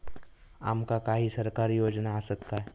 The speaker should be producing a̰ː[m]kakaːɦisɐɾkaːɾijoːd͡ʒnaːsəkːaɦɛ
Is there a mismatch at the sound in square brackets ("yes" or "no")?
no